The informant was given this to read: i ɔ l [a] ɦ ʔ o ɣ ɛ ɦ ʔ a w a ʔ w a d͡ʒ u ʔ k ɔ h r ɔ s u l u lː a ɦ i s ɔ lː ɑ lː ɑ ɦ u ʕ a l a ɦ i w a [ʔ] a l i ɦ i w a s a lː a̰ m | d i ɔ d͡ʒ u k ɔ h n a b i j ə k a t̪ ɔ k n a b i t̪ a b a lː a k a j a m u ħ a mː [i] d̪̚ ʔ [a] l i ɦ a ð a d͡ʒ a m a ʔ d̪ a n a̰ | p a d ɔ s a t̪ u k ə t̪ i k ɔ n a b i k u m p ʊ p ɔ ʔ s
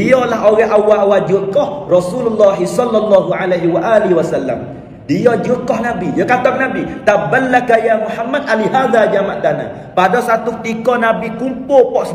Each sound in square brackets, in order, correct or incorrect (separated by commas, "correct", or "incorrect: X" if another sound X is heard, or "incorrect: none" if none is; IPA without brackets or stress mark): correct, correct, incorrect: a, correct